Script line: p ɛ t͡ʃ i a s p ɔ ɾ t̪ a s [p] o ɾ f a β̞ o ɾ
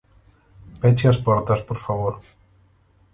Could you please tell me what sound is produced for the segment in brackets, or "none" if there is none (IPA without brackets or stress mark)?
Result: p